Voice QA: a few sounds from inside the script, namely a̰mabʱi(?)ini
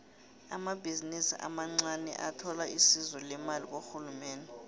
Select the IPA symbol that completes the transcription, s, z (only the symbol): z